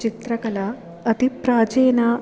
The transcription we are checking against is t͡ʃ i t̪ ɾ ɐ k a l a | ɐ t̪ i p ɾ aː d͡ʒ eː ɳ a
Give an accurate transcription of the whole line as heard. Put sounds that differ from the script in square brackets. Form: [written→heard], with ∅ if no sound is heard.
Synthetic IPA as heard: t͡ʃ i t̪ ɾ ɐ k [a→ɐ] l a | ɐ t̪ i p ɾ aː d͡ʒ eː [ɳ→n] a